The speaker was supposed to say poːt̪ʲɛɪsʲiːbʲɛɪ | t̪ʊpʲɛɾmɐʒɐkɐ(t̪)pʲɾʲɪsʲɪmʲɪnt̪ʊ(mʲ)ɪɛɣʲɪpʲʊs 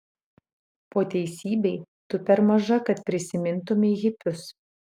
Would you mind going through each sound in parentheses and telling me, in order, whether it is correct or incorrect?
correct, correct

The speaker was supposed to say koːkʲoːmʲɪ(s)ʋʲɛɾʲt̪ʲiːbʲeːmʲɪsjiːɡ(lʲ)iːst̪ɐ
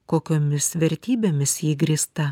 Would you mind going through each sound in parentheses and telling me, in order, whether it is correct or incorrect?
correct, incorrect: ɾʲ

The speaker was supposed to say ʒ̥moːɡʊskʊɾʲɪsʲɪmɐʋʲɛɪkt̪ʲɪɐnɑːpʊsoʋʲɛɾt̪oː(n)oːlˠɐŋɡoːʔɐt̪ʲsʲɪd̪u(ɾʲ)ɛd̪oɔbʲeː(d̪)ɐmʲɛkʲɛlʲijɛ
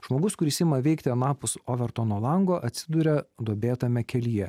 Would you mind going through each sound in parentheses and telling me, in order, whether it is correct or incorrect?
correct, correct, incorrect: t̪

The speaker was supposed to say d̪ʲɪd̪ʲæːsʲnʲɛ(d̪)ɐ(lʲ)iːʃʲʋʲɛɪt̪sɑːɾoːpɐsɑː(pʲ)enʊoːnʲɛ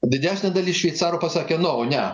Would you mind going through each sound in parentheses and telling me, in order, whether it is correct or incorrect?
correct, correct, incorrect: kʲ

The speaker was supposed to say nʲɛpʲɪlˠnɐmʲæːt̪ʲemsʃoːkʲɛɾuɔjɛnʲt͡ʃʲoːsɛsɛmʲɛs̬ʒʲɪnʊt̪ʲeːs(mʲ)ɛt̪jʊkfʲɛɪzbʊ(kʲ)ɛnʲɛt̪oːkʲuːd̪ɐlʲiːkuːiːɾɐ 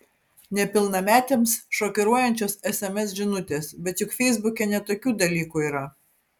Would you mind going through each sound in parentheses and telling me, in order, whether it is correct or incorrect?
incorrect: bʲ, correct

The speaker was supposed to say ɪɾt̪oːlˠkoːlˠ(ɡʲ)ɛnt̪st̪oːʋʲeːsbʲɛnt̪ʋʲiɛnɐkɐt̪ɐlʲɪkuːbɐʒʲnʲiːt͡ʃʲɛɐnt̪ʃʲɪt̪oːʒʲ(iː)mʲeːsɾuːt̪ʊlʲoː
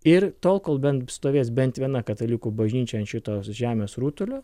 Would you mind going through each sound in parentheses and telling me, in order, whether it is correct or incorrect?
incorrect: bʲ, incorrect: æː

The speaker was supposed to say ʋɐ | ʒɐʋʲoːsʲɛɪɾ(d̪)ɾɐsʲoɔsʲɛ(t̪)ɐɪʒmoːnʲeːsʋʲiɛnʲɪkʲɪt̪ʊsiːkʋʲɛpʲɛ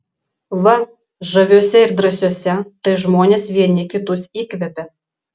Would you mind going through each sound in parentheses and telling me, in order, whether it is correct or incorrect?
correct, correct

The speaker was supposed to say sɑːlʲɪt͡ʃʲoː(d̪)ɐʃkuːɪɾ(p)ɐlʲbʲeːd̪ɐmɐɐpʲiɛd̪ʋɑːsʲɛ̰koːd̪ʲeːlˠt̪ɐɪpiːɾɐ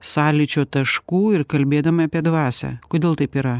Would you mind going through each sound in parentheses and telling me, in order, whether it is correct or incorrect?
incorrect: t̪, incorrect: k

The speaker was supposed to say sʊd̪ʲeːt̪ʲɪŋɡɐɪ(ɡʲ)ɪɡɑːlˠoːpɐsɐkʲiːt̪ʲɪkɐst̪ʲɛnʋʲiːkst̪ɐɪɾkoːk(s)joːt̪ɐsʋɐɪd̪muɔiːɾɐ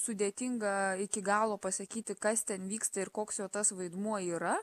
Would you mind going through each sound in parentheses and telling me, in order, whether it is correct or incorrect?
incorrect: kʲ, correct

